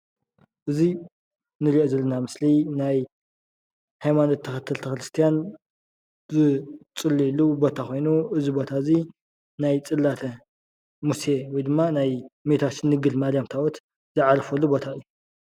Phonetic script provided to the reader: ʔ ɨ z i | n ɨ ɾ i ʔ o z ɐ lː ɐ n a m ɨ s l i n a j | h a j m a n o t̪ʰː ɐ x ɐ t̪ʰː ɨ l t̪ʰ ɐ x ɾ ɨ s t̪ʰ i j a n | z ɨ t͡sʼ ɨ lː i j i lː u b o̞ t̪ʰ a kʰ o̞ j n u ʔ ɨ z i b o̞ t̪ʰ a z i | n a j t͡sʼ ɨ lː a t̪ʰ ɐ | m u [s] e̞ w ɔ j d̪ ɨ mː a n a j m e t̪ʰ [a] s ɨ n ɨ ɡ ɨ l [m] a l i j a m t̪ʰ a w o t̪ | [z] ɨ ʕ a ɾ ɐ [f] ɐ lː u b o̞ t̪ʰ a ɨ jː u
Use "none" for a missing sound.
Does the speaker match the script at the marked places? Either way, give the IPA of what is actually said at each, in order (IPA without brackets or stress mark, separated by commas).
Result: s, a, m, z, f